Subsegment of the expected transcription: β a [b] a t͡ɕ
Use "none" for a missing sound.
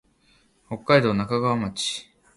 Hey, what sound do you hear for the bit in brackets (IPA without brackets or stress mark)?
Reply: m